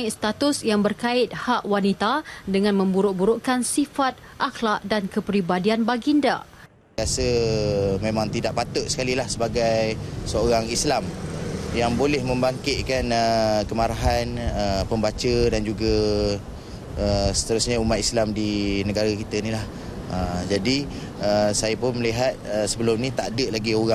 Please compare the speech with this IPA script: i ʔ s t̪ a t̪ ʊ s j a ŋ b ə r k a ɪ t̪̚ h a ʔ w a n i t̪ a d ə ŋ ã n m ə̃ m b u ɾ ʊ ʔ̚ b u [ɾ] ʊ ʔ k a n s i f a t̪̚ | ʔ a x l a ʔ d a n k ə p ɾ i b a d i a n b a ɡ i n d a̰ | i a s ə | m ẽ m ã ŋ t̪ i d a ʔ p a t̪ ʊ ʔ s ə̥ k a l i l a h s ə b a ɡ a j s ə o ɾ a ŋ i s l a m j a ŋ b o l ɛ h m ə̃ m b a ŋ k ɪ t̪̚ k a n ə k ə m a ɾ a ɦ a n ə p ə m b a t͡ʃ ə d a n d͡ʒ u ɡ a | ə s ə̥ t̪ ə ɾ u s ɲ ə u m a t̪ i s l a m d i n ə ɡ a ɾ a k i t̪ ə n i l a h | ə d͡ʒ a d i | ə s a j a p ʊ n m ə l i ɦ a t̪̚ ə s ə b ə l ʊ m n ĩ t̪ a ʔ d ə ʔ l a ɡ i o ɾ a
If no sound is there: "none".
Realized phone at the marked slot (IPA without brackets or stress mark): ɾ